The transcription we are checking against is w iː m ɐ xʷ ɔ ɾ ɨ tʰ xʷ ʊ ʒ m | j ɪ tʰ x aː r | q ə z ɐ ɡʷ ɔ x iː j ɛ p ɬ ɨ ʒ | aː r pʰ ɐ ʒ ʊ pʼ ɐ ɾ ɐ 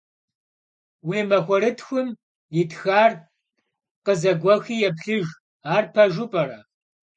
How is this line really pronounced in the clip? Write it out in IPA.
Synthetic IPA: w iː m ɐ xʷ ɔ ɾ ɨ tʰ xʷ ʊ m | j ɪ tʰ x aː r | q ə z ɐ ɡʷ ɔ x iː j ɛ p ɬ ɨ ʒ | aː r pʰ ɐ ʒ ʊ pʼ ɐ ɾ ɐ